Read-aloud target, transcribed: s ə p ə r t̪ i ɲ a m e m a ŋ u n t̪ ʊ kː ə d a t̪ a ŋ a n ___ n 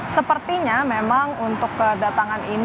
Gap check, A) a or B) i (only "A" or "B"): B